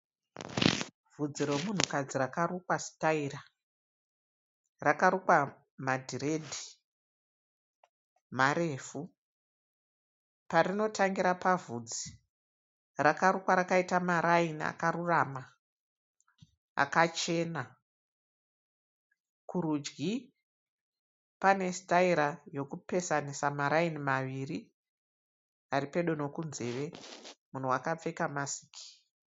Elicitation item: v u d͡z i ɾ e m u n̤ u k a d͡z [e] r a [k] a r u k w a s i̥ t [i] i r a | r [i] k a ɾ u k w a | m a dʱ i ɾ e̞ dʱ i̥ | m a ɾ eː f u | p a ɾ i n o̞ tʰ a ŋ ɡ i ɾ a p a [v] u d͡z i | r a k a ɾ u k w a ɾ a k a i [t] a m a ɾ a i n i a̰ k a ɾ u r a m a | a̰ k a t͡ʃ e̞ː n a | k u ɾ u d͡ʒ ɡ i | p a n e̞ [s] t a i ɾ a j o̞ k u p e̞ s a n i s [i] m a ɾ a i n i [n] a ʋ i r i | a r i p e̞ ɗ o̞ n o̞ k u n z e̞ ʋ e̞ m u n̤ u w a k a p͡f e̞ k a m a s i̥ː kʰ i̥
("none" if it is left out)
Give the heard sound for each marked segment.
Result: i, k, a, a, v, t, s, a, m

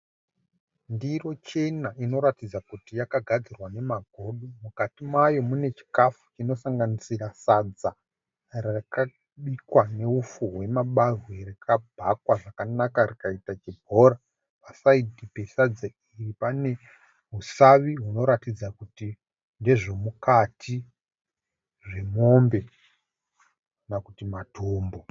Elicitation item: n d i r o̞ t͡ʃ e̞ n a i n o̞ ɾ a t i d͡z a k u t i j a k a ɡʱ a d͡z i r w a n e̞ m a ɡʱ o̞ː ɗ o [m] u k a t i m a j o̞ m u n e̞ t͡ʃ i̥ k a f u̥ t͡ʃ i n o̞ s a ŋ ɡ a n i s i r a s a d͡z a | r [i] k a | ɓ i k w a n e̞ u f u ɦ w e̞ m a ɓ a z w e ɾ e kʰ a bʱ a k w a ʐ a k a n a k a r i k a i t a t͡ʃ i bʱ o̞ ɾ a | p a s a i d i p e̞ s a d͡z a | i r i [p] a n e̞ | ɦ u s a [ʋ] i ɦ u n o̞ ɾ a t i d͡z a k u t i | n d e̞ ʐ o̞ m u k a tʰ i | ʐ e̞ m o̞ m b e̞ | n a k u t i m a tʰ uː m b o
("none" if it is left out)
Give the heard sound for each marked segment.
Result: m, a, p, ʋ

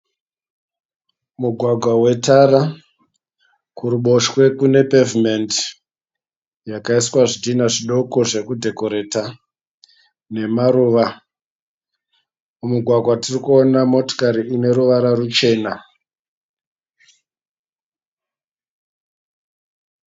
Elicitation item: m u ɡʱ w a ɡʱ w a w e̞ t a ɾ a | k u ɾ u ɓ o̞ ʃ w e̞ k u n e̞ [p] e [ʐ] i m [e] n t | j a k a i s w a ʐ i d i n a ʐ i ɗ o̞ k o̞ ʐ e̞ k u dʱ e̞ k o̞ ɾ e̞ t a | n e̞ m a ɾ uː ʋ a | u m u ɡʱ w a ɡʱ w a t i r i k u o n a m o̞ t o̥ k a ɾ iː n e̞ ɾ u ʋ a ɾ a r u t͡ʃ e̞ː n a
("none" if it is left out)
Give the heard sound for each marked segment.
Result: p, v, e

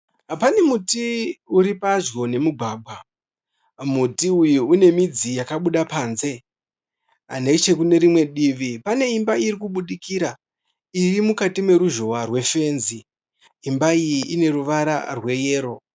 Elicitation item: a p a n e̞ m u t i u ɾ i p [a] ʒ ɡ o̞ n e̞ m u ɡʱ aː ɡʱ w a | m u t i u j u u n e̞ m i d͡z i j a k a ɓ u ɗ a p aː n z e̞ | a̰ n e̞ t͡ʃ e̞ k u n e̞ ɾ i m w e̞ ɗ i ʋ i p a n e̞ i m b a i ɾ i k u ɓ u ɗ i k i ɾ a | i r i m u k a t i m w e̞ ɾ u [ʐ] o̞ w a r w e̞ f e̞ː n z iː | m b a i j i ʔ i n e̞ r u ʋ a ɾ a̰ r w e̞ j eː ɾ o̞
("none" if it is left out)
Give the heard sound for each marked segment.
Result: a, ʒ

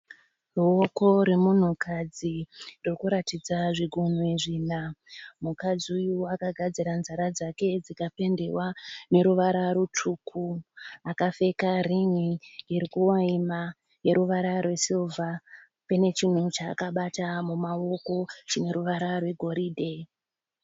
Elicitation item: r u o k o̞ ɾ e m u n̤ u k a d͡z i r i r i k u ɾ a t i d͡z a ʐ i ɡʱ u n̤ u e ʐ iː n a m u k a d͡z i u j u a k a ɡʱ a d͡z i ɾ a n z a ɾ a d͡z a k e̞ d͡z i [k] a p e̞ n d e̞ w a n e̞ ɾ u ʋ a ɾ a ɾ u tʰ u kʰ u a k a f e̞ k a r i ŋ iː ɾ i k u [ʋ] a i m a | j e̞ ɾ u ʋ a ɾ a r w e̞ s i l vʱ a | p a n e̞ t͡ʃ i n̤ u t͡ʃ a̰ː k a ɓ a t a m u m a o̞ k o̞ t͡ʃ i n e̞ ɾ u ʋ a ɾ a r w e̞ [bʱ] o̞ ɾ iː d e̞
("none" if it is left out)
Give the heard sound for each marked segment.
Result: k, w, ɡʱ

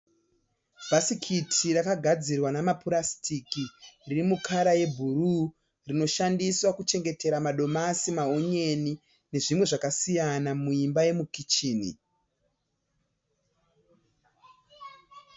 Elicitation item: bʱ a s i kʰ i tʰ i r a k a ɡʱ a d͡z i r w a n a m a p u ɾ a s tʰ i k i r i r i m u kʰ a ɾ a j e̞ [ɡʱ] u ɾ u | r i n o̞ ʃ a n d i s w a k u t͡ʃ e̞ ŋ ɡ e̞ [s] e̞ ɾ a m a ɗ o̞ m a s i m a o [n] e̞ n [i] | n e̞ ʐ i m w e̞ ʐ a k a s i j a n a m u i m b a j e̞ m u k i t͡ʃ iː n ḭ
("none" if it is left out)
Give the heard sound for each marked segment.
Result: bʱ, t, ɲ, i

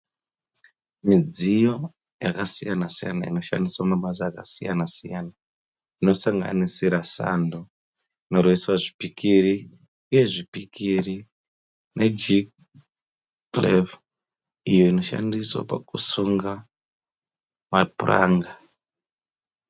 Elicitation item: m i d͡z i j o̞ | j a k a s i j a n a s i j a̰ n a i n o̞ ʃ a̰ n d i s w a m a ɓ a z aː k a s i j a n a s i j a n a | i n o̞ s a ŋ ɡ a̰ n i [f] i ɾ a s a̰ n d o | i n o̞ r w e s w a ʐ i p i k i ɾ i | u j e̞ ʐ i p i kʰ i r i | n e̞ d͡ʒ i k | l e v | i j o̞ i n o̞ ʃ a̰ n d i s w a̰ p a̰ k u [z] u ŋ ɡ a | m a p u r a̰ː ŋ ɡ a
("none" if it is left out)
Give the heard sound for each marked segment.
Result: s, s

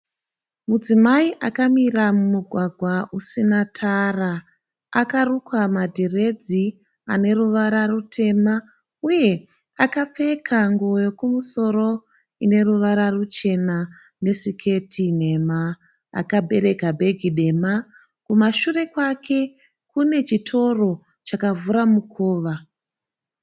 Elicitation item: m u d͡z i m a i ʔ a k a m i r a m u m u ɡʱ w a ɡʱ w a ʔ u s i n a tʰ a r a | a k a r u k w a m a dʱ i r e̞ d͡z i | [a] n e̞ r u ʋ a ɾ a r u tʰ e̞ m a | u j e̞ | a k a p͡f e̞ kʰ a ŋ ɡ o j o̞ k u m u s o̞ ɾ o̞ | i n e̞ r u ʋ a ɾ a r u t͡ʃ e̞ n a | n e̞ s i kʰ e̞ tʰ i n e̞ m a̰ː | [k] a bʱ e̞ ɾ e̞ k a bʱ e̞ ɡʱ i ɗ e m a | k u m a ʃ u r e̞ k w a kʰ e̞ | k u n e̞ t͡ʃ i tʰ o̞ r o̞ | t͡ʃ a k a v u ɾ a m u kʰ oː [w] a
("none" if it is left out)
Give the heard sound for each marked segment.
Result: a, k, ʋ

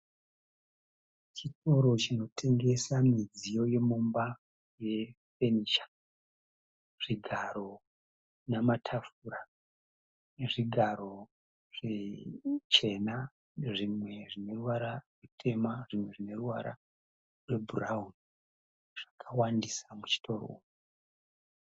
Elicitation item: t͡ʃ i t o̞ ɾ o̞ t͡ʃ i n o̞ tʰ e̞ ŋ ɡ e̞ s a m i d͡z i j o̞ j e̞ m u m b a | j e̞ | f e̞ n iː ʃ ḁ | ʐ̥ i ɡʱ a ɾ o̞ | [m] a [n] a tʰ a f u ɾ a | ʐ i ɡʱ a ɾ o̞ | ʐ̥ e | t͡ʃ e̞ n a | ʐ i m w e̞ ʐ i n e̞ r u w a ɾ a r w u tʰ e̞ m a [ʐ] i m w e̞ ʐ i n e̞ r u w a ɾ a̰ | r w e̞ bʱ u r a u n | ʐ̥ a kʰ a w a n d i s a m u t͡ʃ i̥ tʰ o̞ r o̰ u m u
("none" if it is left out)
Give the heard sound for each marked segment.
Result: n, m, ʐ

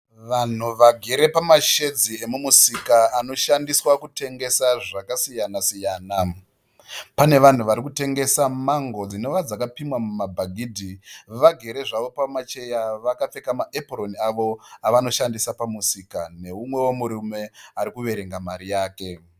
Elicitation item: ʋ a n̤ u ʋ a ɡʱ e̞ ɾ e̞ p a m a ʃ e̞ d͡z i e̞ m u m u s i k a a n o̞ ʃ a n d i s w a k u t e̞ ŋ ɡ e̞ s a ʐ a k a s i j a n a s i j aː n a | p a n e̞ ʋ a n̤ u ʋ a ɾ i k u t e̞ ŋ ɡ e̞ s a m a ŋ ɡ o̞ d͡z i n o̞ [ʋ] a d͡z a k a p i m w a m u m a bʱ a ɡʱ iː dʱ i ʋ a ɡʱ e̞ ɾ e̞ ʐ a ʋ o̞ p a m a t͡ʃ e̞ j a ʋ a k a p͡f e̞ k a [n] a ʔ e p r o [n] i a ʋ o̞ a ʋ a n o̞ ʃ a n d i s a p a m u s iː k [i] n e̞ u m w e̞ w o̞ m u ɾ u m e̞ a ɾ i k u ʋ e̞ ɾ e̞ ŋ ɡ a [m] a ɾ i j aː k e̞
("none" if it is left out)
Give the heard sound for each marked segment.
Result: ʋ, m, n, a, m

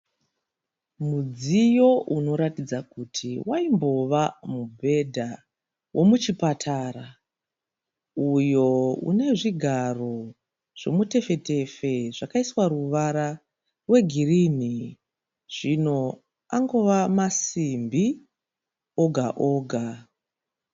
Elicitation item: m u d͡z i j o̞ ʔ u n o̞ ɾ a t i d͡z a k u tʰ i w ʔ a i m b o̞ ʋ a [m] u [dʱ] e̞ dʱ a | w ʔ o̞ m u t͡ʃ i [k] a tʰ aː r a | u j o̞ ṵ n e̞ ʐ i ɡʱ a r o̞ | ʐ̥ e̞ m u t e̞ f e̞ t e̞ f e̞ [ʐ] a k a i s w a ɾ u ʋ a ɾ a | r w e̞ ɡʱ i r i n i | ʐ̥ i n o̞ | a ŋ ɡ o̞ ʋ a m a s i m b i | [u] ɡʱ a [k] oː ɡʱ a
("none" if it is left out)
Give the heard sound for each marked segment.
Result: m, bʱ, p, ʐ, o, ʔ

